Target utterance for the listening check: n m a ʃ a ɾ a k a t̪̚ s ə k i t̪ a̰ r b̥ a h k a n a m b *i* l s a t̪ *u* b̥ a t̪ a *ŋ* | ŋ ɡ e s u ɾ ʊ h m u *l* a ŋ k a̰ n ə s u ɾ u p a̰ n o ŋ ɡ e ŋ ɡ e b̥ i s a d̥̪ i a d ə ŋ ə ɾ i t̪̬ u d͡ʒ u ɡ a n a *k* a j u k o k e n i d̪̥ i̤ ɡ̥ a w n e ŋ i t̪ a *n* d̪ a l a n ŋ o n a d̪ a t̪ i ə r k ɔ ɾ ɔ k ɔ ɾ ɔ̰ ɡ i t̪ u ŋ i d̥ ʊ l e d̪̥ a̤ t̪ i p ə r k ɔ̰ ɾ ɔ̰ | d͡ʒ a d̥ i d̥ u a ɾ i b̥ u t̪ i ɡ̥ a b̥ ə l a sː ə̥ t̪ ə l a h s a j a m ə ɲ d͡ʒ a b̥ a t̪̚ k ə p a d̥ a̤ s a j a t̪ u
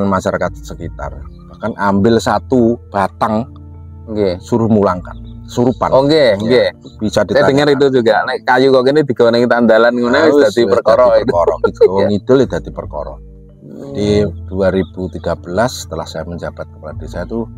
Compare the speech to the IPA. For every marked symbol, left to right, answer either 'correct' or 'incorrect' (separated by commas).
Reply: incorrect, correct, correct, correct, correct, correct